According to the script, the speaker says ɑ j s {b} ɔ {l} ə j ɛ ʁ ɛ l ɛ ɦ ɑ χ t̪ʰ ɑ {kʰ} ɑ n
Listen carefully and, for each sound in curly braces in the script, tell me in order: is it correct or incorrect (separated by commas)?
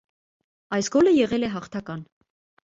incorrect, correct, incorrect